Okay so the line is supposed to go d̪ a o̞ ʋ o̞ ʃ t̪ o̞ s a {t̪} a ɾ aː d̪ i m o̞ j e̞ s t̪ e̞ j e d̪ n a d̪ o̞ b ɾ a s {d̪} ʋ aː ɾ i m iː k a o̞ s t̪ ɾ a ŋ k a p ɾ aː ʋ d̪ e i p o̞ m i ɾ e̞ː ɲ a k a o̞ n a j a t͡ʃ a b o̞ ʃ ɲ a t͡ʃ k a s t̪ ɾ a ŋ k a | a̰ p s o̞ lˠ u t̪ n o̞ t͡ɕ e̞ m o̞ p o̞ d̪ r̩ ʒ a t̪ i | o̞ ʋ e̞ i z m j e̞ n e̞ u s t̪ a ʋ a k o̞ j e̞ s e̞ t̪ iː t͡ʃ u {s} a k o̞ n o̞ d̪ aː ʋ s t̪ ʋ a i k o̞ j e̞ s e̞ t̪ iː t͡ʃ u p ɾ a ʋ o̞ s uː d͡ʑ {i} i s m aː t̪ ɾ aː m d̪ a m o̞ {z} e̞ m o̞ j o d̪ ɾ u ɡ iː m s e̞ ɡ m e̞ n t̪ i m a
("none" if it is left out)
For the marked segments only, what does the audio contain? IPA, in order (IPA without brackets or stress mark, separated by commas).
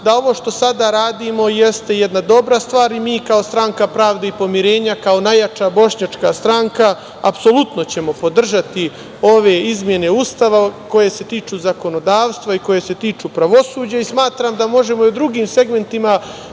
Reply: d̪, t̪, z, a, ʒ